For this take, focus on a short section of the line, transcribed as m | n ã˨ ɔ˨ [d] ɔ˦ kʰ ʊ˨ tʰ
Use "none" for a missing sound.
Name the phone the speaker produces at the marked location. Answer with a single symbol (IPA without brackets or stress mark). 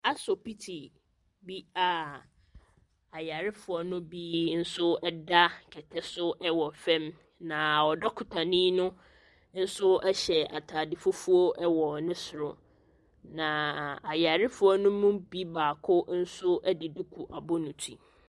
d